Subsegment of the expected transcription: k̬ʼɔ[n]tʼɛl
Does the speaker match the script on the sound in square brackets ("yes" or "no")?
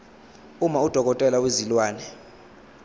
no